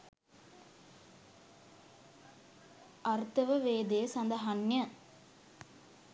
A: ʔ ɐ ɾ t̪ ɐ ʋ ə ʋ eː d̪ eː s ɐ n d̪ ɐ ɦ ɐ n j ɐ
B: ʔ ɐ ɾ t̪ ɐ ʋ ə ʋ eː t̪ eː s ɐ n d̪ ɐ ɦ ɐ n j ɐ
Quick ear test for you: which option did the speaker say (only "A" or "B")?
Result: A